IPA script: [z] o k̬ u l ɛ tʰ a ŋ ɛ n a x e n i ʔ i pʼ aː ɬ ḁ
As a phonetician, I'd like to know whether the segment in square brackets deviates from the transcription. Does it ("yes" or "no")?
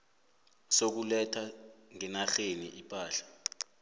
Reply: yes